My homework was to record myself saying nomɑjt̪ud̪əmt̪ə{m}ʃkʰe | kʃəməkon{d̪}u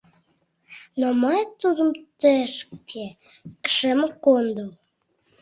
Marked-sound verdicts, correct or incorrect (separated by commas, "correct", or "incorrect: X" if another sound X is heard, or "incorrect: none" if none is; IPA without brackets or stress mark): incorrect: none, correct